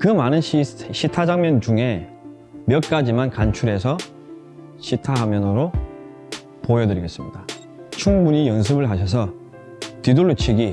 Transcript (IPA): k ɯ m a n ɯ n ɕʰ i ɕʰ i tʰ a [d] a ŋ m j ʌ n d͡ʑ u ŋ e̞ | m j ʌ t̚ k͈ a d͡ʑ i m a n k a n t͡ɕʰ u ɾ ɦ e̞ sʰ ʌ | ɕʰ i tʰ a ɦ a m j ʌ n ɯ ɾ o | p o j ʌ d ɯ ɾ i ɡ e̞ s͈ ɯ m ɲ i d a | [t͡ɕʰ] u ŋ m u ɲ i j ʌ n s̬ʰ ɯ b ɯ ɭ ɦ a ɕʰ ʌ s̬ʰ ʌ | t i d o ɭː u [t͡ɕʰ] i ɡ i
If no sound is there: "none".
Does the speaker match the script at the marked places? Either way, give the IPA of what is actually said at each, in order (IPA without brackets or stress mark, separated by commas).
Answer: d͡ʑ, t͡ɕʰ, t͡ɕʰ